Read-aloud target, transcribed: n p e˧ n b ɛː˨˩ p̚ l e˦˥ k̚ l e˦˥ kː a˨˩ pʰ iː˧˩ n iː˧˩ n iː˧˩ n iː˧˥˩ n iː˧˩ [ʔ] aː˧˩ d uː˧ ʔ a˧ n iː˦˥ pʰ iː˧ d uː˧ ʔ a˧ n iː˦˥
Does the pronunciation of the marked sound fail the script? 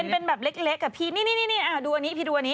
no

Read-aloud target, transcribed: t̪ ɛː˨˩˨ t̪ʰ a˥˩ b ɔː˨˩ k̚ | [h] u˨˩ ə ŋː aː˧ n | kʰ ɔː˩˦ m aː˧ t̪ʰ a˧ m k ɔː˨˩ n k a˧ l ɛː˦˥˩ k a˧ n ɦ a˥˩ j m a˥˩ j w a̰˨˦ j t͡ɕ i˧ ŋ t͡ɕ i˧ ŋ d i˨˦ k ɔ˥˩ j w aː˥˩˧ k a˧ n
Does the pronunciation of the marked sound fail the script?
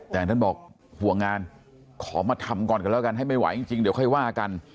no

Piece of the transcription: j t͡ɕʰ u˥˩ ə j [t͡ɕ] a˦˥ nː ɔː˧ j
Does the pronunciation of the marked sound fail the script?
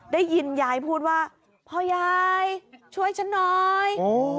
yes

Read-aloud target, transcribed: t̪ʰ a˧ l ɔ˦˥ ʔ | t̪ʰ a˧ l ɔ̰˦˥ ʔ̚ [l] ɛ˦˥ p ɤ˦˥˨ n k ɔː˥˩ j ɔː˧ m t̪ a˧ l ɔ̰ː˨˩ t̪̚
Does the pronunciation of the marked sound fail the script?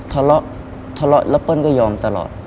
no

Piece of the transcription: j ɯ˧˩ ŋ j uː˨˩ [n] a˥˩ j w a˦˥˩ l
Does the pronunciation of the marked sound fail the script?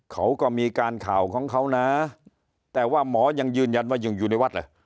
no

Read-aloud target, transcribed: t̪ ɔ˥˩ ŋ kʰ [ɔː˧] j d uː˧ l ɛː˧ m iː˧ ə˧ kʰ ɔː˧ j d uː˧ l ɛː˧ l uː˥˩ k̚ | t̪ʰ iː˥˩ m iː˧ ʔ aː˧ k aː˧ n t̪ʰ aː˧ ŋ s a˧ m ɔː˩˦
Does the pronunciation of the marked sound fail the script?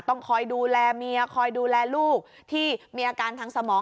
no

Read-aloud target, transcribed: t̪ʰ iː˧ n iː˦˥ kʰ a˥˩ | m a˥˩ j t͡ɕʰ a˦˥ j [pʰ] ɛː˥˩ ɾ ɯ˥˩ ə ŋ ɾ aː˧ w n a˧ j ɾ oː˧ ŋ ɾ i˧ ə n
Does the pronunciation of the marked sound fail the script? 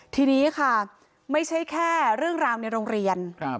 yes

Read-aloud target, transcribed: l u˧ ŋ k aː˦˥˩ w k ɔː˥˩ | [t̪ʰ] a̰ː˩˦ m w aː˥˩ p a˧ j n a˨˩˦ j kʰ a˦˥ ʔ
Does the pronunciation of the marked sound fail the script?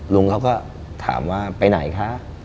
no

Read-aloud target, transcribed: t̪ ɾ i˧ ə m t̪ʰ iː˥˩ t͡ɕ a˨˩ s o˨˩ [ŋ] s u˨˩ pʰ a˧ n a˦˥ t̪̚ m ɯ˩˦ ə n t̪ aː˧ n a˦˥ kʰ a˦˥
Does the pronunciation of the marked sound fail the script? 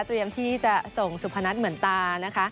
no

